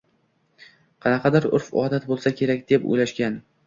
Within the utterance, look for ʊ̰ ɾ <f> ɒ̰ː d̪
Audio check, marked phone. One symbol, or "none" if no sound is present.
f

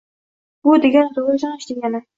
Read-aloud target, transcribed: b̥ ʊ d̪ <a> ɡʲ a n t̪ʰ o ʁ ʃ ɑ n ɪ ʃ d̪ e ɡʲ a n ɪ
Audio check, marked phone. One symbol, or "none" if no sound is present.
e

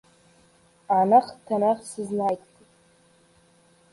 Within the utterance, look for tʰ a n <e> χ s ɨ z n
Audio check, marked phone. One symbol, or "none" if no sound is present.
a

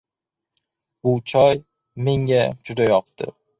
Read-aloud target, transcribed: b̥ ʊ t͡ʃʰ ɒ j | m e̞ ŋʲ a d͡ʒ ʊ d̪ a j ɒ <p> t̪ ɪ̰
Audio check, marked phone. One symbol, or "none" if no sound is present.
q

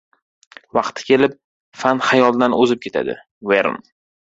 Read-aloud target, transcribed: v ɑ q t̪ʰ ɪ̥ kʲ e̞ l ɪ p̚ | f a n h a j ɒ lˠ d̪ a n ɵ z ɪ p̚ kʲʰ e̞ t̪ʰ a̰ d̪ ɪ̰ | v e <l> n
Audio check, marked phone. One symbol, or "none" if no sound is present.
ɾ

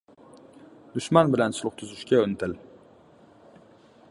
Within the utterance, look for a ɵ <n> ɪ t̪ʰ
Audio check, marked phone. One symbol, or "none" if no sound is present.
n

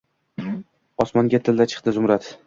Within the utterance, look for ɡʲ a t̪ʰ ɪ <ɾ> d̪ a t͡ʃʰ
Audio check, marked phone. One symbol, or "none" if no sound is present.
l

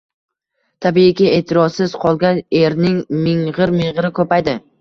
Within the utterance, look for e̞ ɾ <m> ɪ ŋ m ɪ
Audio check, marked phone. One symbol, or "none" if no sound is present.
n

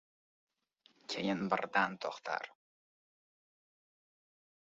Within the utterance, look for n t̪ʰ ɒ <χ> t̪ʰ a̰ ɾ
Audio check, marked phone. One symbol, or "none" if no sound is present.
χ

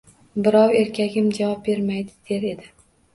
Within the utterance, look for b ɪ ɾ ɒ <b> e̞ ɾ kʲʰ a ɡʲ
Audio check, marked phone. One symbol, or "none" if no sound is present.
w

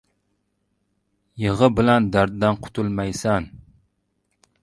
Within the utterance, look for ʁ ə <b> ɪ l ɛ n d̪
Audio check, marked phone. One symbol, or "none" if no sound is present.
b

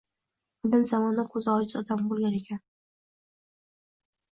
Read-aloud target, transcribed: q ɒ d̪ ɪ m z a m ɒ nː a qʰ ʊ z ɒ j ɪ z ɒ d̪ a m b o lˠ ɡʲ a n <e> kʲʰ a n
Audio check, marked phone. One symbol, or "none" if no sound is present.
e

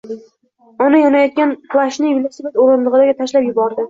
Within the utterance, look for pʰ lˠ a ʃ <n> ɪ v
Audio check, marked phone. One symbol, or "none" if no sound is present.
n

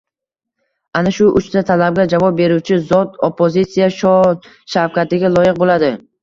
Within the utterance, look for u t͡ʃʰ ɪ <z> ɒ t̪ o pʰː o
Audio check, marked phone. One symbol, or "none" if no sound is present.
z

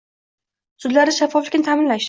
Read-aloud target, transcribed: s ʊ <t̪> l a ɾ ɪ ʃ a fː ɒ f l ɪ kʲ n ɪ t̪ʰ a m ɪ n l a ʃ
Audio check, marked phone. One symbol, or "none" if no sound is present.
d̪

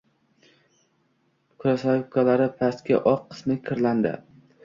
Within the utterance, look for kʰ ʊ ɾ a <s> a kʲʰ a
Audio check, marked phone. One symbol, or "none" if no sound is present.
s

